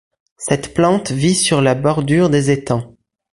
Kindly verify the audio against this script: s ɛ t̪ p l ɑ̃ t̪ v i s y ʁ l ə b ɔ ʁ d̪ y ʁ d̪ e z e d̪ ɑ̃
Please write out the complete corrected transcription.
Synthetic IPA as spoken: s ɛ t̪ p l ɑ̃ t̪ v i s y ʁ l a b ɔ ʁ d̪ y ʁ d̪ e z e t̪ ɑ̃